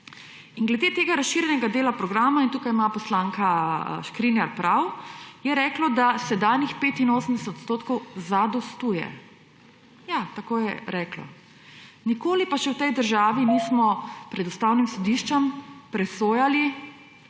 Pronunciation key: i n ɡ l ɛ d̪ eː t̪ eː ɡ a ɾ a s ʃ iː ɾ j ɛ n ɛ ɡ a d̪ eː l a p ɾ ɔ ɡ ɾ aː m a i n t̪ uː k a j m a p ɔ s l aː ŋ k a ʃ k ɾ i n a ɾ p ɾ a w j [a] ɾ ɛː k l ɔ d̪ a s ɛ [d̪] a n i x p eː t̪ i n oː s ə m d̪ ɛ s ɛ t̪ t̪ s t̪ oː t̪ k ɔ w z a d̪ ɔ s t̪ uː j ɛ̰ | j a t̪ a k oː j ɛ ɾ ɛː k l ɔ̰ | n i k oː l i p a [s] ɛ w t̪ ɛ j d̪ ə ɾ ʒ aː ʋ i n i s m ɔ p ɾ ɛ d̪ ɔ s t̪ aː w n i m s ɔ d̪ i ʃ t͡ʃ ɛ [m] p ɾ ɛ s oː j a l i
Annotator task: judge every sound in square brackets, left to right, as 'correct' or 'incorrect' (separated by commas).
incorrect, correct, incorrect, correct